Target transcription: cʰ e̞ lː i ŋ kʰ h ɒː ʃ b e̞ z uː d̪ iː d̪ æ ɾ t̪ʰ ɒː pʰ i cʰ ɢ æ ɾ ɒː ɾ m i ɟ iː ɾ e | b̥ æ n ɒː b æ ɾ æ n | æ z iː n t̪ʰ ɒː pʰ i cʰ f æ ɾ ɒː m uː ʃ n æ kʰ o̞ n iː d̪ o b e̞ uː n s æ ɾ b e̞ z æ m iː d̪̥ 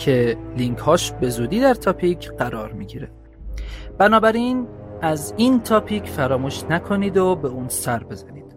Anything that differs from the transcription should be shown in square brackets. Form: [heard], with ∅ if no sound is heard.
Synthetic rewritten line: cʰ e̞ [l] i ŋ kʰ h ɒː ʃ b e̞ z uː d̪ iː d̪ æ ɾ t̪ʰ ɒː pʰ i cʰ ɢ æ ɾ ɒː ɾ m i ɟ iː ɾ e | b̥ æ n ɒː b æ ɾ [i] n | æ z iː n t̪ʰ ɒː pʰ i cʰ f æ ɾ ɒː m uː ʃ n æ kʰ o̞ n iː d̪ o b e̞ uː n s æ ɾ b e̞ z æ [n] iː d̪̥